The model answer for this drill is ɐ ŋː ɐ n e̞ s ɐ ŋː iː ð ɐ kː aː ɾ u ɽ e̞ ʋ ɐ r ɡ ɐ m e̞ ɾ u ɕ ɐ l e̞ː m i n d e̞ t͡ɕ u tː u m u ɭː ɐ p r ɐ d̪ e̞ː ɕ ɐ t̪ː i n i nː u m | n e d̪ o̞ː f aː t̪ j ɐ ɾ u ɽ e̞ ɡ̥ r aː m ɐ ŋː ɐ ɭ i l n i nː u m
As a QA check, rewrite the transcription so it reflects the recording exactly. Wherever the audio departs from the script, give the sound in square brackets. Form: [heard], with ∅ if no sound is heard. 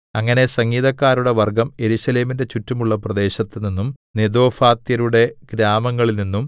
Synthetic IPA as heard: ɐ ŋː ɐ n e̞ s ɐ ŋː iː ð ɐ kː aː ɾ u ɽ e̞ ʋ ɐ r ɡ ɐ m e̞ ɾ u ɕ ɐ l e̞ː m i n d e̞ t͡ɕ u tː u m u ɭː ɐ p r ɐ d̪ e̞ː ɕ ɐ t̪ː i n i nː u m | n e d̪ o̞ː f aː t̪ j ɐ ɾ u ɽ e̞ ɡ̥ [ɾ] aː m ɐ ŋː ɐ ɭ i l n i nː u m